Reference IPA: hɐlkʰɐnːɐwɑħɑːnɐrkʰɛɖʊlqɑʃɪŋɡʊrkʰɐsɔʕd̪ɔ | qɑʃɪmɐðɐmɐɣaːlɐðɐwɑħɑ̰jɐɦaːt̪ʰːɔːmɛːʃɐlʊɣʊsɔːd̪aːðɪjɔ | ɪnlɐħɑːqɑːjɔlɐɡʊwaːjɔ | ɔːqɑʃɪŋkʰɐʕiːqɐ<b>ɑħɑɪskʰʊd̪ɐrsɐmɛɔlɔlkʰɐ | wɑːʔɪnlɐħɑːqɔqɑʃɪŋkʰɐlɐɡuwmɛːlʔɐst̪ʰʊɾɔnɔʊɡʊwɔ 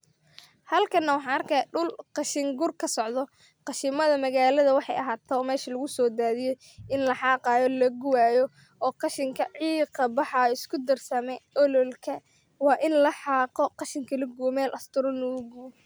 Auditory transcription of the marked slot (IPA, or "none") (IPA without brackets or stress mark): b